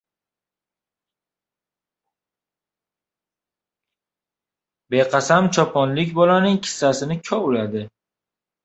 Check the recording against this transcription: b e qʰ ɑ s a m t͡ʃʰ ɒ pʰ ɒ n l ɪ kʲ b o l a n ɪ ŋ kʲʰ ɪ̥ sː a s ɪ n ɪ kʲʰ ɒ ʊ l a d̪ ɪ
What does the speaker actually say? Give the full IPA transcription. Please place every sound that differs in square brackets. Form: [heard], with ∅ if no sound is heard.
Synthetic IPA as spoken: b e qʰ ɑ s a m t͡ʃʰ ɒ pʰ ɒ n l ɪ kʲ b [ɒ] l a n ɪ ŋ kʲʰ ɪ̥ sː a s ɪ n ɪ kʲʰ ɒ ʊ l a d̪ ɪ